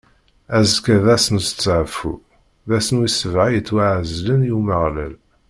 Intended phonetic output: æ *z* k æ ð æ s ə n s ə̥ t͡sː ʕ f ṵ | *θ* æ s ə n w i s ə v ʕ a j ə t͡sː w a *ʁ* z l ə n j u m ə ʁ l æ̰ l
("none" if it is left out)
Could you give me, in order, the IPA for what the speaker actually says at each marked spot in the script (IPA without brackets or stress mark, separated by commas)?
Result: z, ð, ʕ